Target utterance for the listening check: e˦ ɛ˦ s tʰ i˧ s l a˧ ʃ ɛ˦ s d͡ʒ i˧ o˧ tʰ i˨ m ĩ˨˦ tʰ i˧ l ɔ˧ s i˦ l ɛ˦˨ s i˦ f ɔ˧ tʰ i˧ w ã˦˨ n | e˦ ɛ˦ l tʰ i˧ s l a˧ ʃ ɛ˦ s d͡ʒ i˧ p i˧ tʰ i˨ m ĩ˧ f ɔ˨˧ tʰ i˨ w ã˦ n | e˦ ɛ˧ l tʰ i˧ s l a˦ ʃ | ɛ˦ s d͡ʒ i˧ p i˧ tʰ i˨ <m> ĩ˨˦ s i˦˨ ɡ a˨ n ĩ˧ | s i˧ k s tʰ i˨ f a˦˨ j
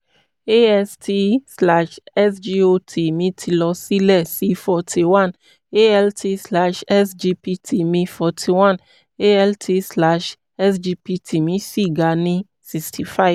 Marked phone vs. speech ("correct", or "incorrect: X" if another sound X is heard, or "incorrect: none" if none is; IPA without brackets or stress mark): correct